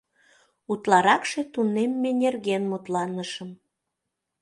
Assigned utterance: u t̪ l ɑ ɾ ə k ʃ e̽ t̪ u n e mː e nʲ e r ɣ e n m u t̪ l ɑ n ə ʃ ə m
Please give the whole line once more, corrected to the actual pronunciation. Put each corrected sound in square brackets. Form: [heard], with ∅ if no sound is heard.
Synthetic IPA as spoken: u t̪ l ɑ ɾ [ɑ] k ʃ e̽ t̪ u n e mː e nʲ e r ɣ e n m u t̪ l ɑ n ə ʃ ə m